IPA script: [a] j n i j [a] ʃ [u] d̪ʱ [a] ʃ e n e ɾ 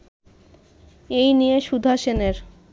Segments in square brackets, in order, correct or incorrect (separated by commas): incorrect, incorrect, correct, correct